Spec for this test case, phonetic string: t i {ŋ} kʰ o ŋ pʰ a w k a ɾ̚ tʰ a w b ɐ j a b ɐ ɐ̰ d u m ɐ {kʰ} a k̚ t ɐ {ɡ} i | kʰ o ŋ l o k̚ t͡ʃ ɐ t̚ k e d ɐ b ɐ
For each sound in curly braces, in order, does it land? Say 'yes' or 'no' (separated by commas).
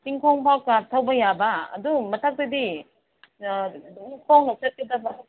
yes, no, no